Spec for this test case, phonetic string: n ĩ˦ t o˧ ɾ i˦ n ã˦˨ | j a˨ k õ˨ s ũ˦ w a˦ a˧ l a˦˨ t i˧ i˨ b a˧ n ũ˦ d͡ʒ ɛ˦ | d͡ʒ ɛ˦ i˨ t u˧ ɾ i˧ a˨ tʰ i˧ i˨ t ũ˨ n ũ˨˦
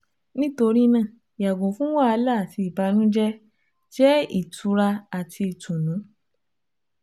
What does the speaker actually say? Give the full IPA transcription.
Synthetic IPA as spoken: n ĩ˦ t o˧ ɾ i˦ n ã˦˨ | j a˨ ɡ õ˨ f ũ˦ w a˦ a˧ l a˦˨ t i˧ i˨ b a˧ n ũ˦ d͡ʒ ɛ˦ | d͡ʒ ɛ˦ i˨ t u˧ ɾ a˧ a˨ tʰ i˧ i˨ t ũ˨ n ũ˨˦